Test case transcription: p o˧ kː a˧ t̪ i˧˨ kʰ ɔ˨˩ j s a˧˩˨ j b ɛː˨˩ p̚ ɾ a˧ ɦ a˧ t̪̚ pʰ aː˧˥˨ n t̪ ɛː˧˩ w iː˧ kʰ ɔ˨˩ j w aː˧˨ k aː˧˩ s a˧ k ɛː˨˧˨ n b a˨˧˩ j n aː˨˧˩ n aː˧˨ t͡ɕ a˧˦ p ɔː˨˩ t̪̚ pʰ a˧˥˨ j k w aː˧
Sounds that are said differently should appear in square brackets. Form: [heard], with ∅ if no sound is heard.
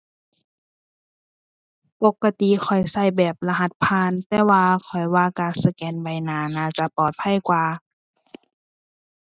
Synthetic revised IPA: p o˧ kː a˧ t̪ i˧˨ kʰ ɔ˨˩ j s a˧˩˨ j b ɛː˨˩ p̚ [l] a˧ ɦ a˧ t̪̚ pʰ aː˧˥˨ n t̪ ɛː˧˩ w [aː˧] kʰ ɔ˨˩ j w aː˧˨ k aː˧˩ s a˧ k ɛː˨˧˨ n b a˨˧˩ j n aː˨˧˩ n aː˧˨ t͡ɕ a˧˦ p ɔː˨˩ t̪̚ pʰ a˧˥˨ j k w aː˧

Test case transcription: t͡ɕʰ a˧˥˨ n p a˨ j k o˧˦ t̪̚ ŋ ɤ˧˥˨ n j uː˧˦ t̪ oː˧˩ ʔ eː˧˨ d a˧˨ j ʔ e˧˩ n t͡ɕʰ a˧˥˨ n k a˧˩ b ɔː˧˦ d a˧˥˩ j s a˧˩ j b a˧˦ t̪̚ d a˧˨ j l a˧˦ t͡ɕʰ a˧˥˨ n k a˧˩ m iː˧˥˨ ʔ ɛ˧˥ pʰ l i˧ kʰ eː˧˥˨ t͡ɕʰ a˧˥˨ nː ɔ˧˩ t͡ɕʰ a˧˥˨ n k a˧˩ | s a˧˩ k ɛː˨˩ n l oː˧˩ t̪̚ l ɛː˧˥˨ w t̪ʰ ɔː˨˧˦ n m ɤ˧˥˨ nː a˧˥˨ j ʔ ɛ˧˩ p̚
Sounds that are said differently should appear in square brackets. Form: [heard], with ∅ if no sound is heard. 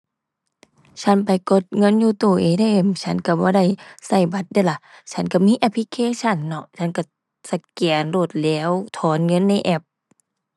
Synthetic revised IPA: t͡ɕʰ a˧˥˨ n p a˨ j k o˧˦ t̪̚ ŋ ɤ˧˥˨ n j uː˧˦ t̪ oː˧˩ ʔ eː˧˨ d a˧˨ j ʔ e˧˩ [m] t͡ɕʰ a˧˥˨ n k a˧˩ b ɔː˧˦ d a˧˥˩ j s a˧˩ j b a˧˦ t̪̚ d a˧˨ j l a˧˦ t͡ɕʰ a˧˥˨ n k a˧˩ m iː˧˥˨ ʔ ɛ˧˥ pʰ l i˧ kʰ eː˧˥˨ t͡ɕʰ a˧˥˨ nː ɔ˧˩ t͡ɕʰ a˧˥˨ n k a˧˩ | s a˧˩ k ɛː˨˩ n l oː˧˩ t̪̚ l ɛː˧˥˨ w t̪ʰ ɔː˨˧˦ n [ŋ] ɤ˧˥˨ nː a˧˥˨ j ʔ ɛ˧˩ p̚

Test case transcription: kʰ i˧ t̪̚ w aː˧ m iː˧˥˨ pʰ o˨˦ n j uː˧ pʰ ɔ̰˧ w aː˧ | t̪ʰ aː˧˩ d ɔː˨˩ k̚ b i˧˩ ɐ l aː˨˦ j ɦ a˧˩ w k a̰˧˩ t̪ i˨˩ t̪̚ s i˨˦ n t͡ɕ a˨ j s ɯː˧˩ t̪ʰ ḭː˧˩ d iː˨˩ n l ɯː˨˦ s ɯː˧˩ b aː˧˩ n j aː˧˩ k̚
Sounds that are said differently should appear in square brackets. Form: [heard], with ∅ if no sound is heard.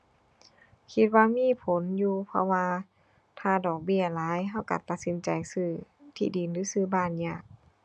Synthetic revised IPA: kʰ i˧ t̪̚ w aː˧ m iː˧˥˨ pʰ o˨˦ n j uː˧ pʰ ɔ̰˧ w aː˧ | t̪ʰ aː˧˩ d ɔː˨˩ k̚ b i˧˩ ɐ l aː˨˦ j ɦ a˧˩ w k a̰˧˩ t̪ [a˨˩] t̪̚ s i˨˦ n t͡ɕ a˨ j s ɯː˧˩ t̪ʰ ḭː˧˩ d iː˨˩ n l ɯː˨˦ s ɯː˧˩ b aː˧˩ n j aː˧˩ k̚

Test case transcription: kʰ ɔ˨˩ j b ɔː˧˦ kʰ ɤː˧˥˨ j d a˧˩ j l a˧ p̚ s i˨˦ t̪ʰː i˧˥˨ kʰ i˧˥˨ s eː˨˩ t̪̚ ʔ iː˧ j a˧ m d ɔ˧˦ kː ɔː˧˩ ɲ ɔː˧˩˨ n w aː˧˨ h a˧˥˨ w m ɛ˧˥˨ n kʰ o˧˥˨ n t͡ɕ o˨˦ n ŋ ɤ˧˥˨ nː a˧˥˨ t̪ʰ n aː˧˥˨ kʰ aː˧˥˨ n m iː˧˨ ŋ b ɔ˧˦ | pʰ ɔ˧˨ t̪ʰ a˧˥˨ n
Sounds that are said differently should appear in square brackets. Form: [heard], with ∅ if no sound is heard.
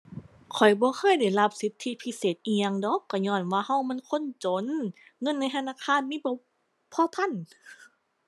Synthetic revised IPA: kʰ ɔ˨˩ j b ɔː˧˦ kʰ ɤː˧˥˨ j d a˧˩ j l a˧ p̚ s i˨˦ t̪ʰː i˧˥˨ [pʰ] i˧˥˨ s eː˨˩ t̪̚ ʔ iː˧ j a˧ [ŋ] d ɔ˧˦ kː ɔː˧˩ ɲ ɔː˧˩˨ n w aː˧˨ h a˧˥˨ w m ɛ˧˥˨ n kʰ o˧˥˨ n t͡ɕ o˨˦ n ŋ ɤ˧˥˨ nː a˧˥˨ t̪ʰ n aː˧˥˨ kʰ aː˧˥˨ n m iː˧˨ [∅] b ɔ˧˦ | pʰ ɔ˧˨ t̪ʰ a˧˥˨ n

